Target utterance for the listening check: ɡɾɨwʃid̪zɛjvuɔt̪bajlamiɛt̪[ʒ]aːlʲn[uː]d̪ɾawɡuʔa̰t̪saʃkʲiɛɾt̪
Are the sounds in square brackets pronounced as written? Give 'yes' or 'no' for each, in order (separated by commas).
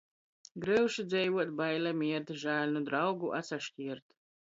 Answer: yes, no